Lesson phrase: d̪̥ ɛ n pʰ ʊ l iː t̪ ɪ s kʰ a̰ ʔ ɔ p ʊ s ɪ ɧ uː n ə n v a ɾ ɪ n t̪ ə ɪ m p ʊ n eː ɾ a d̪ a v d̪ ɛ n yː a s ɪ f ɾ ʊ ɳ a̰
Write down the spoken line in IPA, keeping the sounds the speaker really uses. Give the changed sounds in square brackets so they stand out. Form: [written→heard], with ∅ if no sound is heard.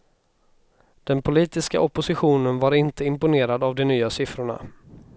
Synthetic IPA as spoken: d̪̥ ɛ n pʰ ʊ l iː t̪ ɪ s [kʰ→k] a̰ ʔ ɔ p ʊ s ɪ ɧ uː n ə n v a ɾ ɪ n t̪ ə ɪ m p ʊ n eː ɾ a d̪ a v d̪ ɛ n yː a s ɪ f ɾ ʊ ɳ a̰